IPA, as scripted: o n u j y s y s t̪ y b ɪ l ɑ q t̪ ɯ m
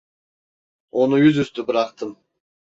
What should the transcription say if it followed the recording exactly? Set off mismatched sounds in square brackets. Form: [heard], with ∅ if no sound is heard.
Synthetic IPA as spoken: o n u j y [z] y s t̪ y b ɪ [ɾ] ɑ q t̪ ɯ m